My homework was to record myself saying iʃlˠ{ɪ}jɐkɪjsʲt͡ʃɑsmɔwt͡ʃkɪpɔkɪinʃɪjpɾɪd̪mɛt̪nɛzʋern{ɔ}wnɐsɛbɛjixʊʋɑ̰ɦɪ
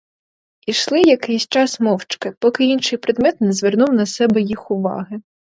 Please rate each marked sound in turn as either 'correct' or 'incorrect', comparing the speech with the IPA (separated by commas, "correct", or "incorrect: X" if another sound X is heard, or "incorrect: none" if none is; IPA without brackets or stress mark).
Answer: correct, incorrect: u